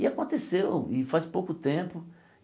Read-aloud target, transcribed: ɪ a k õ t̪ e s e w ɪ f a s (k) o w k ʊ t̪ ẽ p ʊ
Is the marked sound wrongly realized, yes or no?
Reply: yes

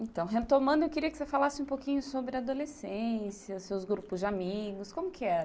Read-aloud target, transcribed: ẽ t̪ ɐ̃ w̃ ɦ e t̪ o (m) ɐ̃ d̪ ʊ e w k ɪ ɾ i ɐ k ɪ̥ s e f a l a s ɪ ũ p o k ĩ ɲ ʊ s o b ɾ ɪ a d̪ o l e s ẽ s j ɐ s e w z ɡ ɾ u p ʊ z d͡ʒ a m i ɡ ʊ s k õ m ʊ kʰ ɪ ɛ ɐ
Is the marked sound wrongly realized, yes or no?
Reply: no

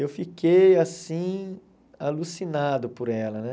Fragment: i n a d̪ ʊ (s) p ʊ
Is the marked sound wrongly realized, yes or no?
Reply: yes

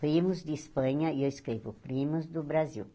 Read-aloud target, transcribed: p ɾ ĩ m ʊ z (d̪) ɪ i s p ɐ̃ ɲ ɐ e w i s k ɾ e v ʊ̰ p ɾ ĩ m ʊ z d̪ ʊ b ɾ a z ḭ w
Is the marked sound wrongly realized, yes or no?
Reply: no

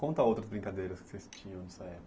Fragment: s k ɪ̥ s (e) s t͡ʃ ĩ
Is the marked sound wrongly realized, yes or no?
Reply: no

